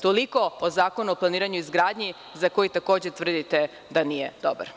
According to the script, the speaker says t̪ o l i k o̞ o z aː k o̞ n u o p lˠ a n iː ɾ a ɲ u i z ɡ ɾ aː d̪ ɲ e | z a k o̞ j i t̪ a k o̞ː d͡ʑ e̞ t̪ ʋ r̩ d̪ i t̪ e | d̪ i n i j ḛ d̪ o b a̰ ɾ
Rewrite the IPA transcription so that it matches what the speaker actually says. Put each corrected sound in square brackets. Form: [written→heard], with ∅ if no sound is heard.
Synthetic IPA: t̪ o l i k o̞ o z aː k o̞ n u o p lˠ a n iː ɾ a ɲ u i z ɡ ɾ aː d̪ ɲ [e→i] | z a k o̞ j i t̪ a k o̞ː d͡ʑ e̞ t̪ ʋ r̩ d̪ i t̪ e | d̪ [i→a] n i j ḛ d̪ o b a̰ ɾ